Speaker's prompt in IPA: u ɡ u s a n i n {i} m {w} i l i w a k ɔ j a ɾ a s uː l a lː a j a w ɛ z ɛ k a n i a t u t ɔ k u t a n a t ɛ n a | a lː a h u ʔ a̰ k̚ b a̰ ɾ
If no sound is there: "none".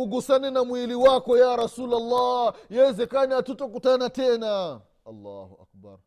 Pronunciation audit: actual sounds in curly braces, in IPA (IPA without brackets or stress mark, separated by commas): a, w